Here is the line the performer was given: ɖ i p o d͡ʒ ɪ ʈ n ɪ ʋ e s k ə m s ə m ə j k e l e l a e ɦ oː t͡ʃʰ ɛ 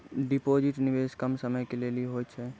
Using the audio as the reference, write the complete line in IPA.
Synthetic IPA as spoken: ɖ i p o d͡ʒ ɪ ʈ n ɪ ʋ e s k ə m s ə m ə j k e l e l i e ɦ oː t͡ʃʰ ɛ